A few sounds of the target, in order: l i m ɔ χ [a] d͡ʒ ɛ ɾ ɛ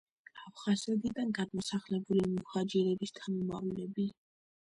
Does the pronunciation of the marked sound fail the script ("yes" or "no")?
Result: no